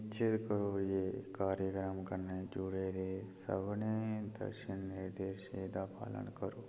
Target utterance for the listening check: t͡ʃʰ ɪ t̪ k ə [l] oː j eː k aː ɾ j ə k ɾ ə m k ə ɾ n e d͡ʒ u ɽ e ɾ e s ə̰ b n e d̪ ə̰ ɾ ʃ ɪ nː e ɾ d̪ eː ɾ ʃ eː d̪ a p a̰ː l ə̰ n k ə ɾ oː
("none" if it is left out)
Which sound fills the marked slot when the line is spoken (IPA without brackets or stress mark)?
ɾ